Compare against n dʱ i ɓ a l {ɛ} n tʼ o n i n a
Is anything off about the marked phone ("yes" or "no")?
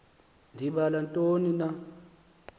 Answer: yes